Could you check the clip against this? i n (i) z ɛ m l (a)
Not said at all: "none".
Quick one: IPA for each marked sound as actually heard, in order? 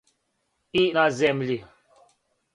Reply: a, i

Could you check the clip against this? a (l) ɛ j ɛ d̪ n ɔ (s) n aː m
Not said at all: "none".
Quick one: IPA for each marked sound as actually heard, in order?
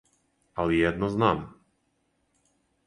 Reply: l, z

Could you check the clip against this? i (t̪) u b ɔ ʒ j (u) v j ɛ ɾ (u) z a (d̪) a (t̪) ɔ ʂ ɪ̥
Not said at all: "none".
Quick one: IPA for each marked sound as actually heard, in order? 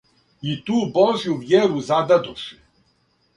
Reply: t̪, u, u, d̪, d̪

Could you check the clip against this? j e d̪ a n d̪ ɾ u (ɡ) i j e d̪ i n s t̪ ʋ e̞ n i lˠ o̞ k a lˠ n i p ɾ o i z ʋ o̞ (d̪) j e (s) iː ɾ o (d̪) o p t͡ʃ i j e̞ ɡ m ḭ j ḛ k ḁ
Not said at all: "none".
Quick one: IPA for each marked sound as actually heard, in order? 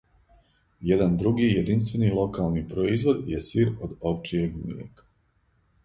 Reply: ɡ, d̪, s, d̪

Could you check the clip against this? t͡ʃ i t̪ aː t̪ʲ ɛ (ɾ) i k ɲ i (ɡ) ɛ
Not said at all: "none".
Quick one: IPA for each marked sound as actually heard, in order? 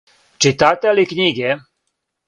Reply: l, ɡ

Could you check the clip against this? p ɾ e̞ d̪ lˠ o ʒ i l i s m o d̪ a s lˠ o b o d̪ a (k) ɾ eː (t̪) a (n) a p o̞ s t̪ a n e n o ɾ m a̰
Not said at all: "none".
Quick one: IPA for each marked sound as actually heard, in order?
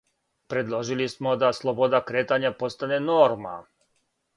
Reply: k, t̪, ɲ

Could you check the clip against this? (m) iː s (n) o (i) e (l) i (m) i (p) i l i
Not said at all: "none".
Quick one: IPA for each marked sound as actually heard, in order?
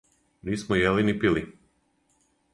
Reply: n, m, j, l, n, p

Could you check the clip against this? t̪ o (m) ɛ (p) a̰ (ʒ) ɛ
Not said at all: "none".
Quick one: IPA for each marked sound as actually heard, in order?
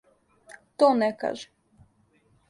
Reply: n, k, ʒ

